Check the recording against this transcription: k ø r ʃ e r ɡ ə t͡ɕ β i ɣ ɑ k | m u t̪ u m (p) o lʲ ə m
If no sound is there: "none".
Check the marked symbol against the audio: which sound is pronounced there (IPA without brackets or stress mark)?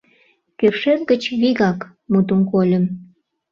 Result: k